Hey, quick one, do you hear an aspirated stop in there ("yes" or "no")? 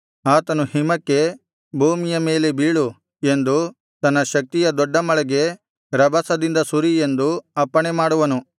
no